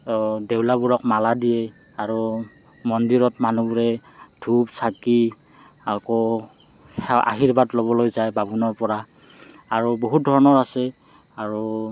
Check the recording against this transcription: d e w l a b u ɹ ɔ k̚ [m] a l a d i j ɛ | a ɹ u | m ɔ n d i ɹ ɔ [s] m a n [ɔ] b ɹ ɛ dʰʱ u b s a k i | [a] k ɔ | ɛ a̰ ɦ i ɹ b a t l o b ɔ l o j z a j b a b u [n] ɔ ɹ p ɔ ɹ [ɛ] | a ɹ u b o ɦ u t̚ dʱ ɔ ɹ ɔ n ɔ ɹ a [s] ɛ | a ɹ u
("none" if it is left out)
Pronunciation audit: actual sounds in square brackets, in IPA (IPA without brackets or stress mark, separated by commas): m, t, u, a, n, a, s